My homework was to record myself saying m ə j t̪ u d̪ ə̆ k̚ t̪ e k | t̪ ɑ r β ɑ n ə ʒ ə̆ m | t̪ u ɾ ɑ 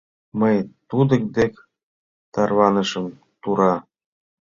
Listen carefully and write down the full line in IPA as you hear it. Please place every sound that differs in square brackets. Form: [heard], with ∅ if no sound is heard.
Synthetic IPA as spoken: m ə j t̪ u d̪ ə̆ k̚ [d̪] e k | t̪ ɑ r β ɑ n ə [ʃ] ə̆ m | t̪ u ɾ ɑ